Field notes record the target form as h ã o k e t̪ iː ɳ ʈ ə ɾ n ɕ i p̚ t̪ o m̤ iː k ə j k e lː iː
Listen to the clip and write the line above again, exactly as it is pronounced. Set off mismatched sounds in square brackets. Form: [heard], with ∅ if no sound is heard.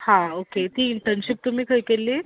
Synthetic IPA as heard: h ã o k e t̪ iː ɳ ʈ ə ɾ n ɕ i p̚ t̪ [u] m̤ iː k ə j k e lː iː